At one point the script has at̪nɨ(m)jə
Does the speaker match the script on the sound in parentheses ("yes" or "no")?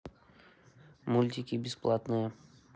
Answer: no